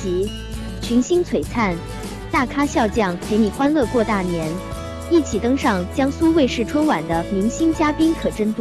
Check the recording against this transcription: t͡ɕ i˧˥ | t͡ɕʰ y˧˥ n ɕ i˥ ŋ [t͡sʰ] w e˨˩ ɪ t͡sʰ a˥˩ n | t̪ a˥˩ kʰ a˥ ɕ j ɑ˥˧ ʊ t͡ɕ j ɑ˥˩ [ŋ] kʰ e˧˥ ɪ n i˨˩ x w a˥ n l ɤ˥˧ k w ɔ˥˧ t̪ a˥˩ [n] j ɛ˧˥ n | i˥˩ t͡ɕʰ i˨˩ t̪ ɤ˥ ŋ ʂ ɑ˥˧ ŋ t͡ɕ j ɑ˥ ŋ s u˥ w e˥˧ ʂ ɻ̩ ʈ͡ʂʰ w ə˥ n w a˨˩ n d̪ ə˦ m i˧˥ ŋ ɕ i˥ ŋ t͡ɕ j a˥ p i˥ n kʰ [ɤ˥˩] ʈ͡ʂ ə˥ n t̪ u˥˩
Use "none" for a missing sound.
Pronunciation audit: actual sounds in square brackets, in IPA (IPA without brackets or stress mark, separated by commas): t͡sʰ, ŋ, n, ɤ˨˩